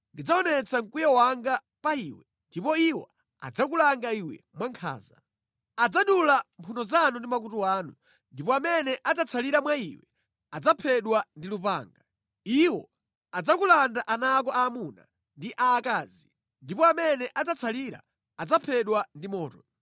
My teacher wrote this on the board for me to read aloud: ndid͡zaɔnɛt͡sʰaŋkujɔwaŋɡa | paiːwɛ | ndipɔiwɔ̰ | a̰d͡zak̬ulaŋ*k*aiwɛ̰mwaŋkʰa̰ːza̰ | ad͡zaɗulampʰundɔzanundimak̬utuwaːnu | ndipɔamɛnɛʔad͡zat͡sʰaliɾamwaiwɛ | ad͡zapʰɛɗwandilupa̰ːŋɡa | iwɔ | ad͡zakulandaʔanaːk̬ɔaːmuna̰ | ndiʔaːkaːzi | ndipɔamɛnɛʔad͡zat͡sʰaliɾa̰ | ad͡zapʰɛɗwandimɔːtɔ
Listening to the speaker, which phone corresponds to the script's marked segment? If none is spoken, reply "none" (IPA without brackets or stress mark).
ɡ